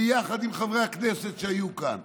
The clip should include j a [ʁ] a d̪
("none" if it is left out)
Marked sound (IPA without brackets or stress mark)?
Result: χ